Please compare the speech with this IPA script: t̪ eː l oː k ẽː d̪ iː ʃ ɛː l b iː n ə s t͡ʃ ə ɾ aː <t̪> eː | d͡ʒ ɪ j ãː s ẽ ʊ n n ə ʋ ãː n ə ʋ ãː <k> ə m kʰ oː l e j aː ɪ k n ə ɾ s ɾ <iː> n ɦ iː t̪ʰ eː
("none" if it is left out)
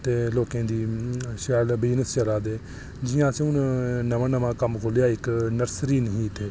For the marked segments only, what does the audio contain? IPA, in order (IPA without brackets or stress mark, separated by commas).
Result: d̪, k, iː